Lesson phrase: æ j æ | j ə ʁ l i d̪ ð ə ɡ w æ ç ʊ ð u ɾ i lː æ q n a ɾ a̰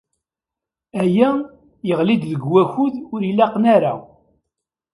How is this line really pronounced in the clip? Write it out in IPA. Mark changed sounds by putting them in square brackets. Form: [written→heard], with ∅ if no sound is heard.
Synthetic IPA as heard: æ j æ | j ə ʁ l i d̪ ð ə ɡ w æ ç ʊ ð [u→ʊ] ɾ i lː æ q n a ɾ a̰